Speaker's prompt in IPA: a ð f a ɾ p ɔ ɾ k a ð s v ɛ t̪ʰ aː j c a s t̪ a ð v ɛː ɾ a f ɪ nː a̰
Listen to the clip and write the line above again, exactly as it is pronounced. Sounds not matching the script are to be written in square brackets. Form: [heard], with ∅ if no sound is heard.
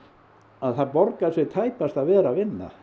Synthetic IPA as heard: a ð [θ] a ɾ p ɔ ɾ k a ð s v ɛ t̪ʰ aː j [p] a s t̪ a ð v ɛː ɾ a [v] ɪ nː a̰